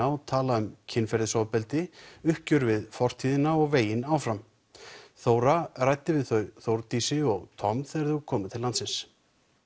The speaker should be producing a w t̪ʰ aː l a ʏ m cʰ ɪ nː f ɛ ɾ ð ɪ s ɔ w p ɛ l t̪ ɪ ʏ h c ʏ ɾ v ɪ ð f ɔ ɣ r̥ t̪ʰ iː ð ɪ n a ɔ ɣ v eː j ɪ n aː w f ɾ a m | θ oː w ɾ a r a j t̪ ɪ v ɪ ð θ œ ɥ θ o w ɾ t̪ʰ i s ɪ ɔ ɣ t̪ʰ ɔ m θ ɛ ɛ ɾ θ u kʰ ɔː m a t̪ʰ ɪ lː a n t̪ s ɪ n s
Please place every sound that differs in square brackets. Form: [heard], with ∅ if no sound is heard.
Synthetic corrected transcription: a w t̪ʰ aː l a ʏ m cʰ ɪ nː f ɛ ɾ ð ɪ s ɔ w p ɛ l t̪ ɪ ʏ h c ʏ ɾ v ɪ ð f ɔ [∅] r̥ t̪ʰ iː ð ɪ n a ɔ ɣ v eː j ɪ n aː w f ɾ a m | θ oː w ɾ a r a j t̪ ɪ v ɪ ð θ œ ɥ θ o w ɾ [t̪] i s ɪ ɔ ɣ t̪ʰ ɔ m θ ɛ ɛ ɾ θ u kʰ ɔː m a t̪ʰ ɪ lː a n t̪ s ɪ n s

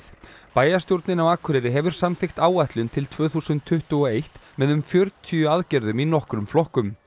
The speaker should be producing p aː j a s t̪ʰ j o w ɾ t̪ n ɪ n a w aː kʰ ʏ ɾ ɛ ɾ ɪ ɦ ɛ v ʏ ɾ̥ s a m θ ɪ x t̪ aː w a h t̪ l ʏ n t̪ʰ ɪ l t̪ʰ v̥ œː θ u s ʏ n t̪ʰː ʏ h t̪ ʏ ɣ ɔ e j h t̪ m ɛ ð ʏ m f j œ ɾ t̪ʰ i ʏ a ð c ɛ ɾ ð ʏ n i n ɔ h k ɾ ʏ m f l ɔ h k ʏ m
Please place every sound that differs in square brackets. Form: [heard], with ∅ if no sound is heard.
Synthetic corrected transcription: p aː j a s [t̪] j o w ɾ t̪ n ɪ n a w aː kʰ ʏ ɾ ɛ ɾ ɪ ɦ ɛ v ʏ ɾ̥ s a m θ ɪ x t̪ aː w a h t̪ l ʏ n t̪ʰ ɪ l t̪ʰ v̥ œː θ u s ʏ n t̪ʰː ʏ h t̪ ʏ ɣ ɔ e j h t̪ m ɛ ð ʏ m f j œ ɾ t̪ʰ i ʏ a ð c ɛ ɾ ð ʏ [m] i n ɔ h k ɾ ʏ m f l ɔ h k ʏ m

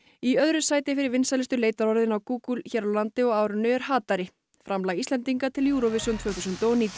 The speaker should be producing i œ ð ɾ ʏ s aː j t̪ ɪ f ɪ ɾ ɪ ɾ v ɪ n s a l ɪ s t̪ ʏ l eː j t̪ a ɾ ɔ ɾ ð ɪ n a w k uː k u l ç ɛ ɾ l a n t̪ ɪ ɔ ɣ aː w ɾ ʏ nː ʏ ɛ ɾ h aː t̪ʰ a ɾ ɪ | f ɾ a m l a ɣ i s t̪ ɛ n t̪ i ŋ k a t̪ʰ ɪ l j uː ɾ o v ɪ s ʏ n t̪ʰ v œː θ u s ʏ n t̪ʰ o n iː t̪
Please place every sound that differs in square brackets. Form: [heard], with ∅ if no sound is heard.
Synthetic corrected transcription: i œ ð ɾ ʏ s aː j t̪ ɪ f ɪ ɾ ɪ ɾ v ɪ n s a l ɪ s t̪ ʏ l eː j t̪ a ɾ ɔ ɾ ð ɪ n a w k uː k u l ç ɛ ɾ l a n t̪ ɪ ɔ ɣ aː w ɾ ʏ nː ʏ ɛ ɾ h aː [t̪] a ɾ ɪ | f ɾ a m l a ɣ i s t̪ ɛ n t̪ i ŋ k a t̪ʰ ɪ l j uː ɾ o v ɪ s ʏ n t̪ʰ v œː θ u s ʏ n [t̪] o n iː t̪

